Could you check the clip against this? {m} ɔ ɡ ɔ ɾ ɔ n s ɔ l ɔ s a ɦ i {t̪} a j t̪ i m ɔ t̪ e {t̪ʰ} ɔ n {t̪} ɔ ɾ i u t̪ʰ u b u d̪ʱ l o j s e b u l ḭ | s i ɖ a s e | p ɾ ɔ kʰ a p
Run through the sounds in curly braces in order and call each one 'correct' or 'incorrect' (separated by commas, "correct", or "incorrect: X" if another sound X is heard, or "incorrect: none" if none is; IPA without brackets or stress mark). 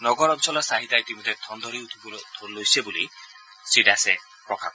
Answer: incorrect: n, correct, correct, incorrect: d̪